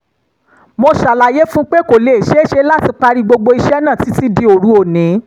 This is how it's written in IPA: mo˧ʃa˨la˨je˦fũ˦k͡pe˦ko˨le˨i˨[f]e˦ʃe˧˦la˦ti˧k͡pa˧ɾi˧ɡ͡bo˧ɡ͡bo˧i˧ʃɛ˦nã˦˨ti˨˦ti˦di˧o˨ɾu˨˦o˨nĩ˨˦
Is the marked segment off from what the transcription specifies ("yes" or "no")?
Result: yes